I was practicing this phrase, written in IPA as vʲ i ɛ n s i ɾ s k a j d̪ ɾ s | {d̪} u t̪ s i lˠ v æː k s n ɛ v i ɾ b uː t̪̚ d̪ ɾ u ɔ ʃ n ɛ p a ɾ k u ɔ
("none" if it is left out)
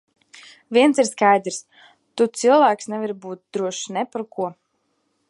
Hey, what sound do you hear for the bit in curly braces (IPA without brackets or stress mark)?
t̪